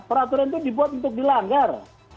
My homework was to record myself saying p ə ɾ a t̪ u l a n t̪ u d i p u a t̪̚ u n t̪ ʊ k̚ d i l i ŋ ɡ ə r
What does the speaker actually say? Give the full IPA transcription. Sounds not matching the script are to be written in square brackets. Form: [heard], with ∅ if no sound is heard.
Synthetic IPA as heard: p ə ɾ a t̪ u [ɾ] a n t̪ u d i [b] u a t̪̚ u n t̪ ʊ k̚ d i l [a] ŋ ɡ [a] r